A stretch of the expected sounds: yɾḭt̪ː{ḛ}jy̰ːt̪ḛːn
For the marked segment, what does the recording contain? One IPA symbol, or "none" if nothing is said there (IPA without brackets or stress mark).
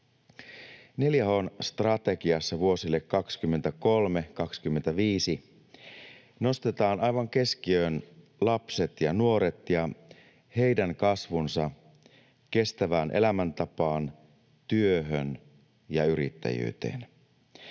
æ̰